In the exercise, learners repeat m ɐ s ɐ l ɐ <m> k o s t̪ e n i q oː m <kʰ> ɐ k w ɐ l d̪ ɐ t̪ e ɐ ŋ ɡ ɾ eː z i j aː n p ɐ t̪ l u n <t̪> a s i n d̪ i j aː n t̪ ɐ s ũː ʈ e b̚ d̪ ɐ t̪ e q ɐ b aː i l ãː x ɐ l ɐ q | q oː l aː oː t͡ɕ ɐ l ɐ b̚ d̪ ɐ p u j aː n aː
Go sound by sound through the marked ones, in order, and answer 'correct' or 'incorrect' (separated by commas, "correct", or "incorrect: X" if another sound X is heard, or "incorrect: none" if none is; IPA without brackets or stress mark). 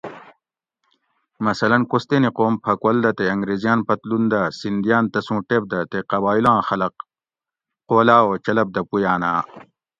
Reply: incorrect: n, incorrect: pʰ, incorrect: d̪